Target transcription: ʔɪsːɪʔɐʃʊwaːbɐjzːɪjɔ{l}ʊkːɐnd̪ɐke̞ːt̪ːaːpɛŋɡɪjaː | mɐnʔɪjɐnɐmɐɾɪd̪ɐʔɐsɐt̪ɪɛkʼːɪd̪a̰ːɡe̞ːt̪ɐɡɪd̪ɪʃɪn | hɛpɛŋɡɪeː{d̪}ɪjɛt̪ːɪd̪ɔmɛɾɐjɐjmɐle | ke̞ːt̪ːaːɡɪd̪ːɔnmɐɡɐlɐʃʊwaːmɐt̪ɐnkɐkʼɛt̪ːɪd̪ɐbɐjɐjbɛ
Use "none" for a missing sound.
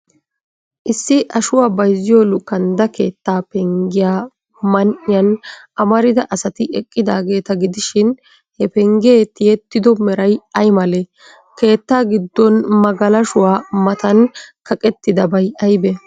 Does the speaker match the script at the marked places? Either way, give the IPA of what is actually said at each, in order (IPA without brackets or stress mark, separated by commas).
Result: l, t̪